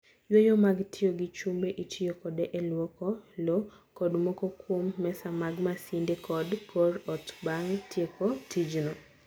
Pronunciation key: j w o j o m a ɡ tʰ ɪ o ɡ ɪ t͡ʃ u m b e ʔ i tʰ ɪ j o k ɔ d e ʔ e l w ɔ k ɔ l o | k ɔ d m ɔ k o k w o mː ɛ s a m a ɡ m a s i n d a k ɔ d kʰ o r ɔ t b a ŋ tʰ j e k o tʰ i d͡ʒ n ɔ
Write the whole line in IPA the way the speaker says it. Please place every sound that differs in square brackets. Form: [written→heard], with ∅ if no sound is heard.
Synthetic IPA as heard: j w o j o m a ɡ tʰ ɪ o ɡ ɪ t͡ʃ u m b e ʔ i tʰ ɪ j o k ɔ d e ʔ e l w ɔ k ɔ l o | k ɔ d m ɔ k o k w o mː ɛ s a m a ɡ m a s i n d [a→e] k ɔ d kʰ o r ɔ t b a ŋ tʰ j e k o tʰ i d͡ʒ n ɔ